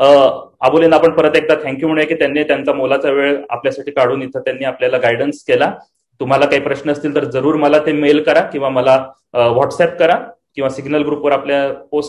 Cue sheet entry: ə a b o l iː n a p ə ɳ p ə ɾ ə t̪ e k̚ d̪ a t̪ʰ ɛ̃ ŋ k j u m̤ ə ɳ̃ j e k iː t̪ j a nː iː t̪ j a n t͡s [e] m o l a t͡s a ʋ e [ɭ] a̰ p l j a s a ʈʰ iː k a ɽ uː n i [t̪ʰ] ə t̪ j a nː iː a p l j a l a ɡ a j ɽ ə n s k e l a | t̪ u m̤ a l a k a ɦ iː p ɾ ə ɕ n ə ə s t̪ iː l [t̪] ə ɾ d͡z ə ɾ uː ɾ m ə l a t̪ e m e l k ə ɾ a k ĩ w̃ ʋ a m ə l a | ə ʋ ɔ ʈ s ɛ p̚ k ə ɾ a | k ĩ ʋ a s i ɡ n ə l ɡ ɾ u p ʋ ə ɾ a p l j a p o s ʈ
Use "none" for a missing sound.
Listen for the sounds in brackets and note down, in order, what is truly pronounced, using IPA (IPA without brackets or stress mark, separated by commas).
a, ɭ, t̪ʰ, t̪